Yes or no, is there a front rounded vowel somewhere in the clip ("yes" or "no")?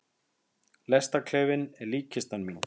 no